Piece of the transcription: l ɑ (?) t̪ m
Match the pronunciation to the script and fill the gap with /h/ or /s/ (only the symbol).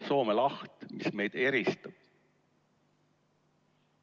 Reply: h